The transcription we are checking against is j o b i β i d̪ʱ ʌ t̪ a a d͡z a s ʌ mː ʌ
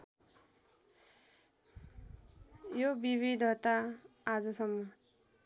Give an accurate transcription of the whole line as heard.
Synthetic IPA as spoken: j o b i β i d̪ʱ ʌ t̪ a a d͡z ʌ s ʌ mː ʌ